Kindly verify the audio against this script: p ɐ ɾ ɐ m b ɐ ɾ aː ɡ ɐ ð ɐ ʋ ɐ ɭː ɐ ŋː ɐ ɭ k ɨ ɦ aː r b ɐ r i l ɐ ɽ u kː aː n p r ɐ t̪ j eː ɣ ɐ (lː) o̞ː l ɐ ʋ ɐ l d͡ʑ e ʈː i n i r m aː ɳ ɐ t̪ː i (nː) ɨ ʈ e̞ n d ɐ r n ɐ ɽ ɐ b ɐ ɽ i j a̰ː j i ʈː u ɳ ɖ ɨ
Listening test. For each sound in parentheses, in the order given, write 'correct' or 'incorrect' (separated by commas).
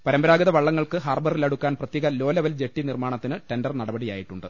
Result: incorrect, incorrect